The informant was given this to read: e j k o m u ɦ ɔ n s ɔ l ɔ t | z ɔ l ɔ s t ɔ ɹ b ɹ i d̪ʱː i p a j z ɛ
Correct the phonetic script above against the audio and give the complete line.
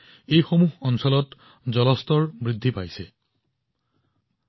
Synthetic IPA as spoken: e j x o m u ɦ ɔ n s ɔ l ɔ t | z ɔ l ɔ s t ɔ ɹ b ɹ i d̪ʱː i p a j s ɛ